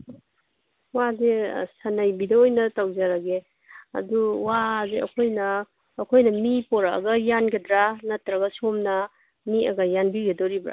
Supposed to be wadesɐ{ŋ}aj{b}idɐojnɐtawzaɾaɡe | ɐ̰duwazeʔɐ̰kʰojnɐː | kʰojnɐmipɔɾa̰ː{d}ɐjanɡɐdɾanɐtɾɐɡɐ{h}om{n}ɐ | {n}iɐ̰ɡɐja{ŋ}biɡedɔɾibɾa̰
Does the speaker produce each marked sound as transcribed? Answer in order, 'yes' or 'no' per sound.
no, yes, no, no, yes, no, no

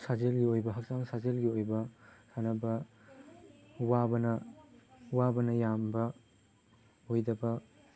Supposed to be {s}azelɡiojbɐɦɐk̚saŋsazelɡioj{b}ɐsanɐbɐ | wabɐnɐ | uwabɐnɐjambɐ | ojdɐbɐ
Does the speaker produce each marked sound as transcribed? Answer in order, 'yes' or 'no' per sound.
yes, yes

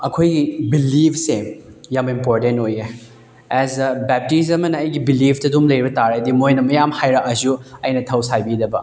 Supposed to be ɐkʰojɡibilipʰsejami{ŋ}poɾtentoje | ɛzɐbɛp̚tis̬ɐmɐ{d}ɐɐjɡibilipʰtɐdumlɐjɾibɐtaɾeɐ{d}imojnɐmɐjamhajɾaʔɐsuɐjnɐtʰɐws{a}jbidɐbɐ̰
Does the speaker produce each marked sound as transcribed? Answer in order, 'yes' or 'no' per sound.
no, no, yes, yes

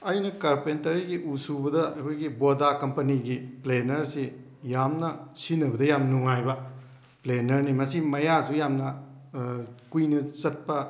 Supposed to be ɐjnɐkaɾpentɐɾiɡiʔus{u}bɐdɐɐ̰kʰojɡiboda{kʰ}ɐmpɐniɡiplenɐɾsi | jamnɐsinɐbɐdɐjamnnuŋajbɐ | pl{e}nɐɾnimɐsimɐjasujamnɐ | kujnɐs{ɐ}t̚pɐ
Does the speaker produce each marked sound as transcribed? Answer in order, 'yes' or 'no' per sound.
yes, no, yes, yes

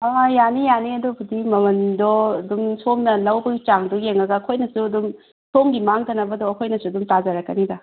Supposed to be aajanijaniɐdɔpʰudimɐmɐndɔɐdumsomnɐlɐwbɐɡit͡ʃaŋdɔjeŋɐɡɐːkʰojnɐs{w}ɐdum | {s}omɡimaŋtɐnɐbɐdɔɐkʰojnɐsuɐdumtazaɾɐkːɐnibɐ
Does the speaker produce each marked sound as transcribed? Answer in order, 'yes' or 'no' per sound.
no, yes

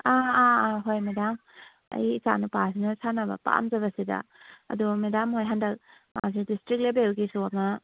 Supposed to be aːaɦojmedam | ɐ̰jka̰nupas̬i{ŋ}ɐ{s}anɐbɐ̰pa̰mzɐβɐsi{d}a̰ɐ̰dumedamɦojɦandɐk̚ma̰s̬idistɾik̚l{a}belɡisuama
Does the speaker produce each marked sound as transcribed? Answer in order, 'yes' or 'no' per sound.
no, yes, yes, no

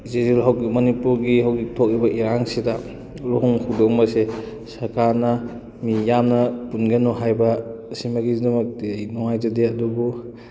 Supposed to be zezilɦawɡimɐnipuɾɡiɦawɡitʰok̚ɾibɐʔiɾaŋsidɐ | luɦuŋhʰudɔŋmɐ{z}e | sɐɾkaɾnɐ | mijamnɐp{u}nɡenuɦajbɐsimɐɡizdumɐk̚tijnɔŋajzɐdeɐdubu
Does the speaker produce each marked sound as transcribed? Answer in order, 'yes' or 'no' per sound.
no, yes

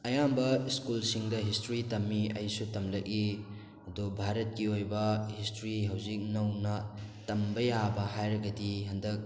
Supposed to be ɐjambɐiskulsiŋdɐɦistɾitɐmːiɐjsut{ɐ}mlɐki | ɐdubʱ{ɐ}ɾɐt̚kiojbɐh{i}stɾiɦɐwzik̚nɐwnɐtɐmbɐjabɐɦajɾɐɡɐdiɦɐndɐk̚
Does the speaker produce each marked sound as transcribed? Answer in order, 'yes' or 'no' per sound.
yes, no, yes

